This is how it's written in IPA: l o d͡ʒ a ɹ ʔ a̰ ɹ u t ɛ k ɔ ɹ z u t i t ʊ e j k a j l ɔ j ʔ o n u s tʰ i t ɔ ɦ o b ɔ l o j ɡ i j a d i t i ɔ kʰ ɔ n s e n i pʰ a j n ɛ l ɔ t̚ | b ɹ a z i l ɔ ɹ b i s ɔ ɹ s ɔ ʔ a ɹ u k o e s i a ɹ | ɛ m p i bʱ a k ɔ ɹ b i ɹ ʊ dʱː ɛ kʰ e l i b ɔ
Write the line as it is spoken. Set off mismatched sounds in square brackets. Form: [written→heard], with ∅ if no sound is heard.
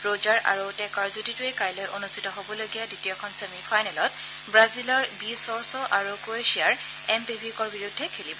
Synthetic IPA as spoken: [l→ɹ] o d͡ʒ a ɹ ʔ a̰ ɹ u t ɛ k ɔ ɹ z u t i t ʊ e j k a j l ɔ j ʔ o n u s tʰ i t ɔ ɦ o b ɔ l o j ɡ i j a d i t i ɔ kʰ ɔ n s e [n→m] i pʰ a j n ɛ l ɔ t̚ | b ɹ a z i l ɔ ɹ b i s ɔ ɹ s ɔ ʔ a ɹ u k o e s i a ɹ | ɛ m p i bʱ [a→i] k ɔ ɹ b i ɹ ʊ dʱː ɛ kʰ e l i b ɔ